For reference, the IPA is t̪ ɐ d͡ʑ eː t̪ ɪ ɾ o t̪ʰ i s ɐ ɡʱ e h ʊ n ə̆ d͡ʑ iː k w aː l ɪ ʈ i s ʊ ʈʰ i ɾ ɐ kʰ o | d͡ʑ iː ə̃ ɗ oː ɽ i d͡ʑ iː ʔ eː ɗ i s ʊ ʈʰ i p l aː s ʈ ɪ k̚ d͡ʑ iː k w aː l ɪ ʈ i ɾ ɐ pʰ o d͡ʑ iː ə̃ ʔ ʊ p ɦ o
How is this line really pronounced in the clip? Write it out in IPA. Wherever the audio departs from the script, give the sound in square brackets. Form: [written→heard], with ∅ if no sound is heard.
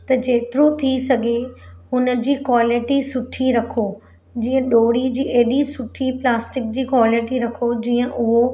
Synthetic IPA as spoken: t̪ ɐ d͡ʑ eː t̪ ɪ ɾ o t̪ʰ i s ɐ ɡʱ e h ʊ n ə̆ d͡ʑ iː k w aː l ɪ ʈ i s ʊ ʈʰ i ɾ ɐ kʰ o | d͡ʑ iː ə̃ ɗ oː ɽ i d͡ʑ iː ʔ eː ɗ i s ʊ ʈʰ i p l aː s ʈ ɪ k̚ d͡ʑ iː k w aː l ɪ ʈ i ɾ ɐ [pʰ→kʰ] o d͡ʑ iː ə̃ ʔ ʊ [p→∅] ɦ o